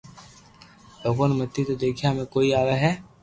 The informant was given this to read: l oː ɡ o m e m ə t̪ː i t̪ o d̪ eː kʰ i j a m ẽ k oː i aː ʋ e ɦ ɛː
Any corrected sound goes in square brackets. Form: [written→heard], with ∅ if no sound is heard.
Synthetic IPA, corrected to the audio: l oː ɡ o [m→n] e m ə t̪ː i t̪ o d̪ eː kʰ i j a m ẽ k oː i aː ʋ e ɦ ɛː